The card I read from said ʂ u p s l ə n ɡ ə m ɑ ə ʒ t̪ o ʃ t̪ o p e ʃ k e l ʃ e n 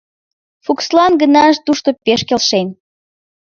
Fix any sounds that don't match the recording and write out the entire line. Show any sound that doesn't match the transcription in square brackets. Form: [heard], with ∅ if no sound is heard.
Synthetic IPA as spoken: [f] u [k] s l [ɑ] n ɡ ə [n] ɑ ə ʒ t̪ [u] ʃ t̪ o p e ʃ k e l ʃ e n